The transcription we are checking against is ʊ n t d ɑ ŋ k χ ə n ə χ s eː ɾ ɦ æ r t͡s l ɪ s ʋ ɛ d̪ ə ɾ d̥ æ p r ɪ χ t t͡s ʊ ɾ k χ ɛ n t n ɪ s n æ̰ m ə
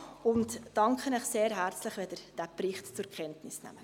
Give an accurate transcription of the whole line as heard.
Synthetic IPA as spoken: ʊ n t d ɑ ŋ k χ ə n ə χ s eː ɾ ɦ æ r t͡s l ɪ χ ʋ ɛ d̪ ə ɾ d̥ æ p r ɪ χ t t͡s ʊ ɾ k χ ɛ n t n ɪ s n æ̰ m ə